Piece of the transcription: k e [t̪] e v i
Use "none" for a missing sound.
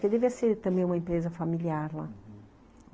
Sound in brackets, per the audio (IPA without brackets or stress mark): d̪